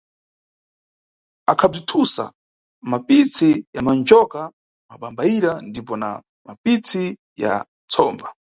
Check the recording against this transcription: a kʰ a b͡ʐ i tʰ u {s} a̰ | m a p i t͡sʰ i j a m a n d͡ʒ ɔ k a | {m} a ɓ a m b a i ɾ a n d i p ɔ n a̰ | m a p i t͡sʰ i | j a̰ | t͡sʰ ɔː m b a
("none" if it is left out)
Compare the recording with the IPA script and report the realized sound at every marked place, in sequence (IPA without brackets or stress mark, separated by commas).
s, m